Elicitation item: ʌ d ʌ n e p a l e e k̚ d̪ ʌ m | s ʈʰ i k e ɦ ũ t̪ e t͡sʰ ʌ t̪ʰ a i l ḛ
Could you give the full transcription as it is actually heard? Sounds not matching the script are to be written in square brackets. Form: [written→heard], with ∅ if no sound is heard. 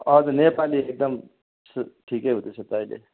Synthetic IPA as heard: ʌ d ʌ n e p a l [e→i] e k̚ d̪ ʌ m | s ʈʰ i k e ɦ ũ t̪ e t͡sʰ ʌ [t̪ʰ→t̪] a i l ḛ